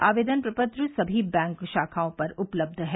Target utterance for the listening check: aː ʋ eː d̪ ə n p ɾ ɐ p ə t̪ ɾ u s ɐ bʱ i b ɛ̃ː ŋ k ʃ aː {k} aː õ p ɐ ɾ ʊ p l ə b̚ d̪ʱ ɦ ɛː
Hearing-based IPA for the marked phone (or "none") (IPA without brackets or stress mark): kʰ